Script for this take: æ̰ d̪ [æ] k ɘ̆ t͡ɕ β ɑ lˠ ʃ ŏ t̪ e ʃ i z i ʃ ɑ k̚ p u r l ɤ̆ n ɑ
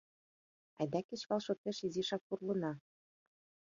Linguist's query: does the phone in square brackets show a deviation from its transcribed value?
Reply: no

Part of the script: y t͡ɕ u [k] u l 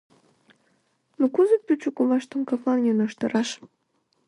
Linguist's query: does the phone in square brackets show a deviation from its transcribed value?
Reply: no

